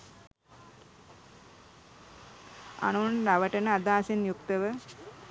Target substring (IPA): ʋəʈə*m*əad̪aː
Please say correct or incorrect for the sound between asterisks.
incorrect